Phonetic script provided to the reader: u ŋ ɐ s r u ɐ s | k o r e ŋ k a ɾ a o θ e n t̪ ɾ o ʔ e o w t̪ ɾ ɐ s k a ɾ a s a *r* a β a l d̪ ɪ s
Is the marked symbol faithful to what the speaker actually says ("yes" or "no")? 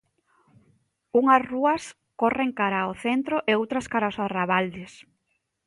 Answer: yes